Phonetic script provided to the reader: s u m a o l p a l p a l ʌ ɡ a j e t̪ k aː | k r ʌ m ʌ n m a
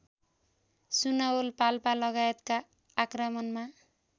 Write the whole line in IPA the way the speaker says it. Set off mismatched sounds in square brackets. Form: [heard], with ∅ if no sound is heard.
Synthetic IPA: s u [n] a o l p a l p a l ʌ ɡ a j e t̪ k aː | k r ʌ m ʌ n m a